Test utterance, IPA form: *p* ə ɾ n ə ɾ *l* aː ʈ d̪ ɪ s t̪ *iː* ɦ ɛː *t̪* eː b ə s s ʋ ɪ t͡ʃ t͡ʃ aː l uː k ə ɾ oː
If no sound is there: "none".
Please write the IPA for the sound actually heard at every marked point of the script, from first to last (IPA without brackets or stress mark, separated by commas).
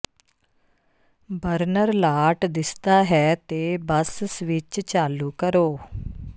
b, l, aː, t̪